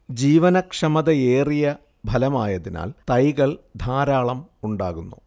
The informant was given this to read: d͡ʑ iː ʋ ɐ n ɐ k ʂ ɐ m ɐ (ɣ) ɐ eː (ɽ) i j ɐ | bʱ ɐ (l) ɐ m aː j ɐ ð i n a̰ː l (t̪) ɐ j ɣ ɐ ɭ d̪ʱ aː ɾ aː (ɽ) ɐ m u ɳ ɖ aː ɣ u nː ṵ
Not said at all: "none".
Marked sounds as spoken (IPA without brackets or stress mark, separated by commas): ð, r, l, t̪, ɭ